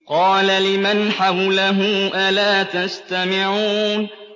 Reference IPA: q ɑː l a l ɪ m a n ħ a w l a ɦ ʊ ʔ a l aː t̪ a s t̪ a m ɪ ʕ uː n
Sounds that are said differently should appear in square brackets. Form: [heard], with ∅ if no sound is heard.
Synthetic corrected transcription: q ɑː l a l ɪ m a n ħ a w l a ɦ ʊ ʔ a l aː t̪ a s t̪ a m ɪ ʕ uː n